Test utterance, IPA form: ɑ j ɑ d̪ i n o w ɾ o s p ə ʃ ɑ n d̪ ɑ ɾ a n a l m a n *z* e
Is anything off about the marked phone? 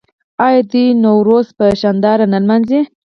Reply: no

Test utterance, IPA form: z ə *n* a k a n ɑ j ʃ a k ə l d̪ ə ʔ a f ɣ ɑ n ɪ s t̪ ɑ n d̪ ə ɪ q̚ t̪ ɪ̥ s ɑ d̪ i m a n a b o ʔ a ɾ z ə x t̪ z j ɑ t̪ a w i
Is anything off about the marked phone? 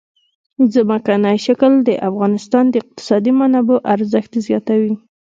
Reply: yes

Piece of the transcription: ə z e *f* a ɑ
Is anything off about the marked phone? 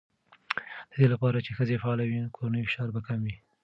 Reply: no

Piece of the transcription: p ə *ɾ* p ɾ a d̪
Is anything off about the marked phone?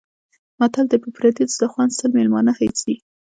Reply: yes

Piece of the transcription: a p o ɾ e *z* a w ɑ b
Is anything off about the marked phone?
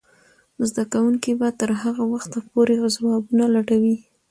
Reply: no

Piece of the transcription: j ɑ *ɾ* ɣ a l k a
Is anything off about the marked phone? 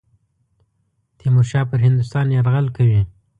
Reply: no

